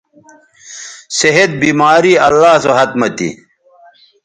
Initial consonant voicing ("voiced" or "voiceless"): voiceless